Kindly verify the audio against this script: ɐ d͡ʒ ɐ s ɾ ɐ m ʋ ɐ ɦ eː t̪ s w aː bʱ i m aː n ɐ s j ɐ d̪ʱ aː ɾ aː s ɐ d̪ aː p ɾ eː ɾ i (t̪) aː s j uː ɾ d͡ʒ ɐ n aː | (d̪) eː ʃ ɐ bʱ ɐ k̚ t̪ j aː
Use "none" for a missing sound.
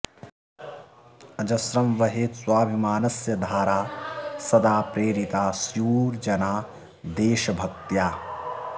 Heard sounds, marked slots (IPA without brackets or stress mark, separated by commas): t̪, d̪